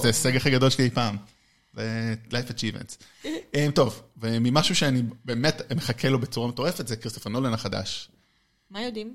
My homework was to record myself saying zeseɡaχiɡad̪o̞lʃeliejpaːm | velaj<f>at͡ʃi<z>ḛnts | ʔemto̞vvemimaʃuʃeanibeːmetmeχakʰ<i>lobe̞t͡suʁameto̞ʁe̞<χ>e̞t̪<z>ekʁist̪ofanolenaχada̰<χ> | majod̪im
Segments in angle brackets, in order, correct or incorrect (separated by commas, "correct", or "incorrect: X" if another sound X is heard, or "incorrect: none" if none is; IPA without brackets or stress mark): correct, incorrect: v, incorrect: e, incorrect: f, correct, incorrect: ʃ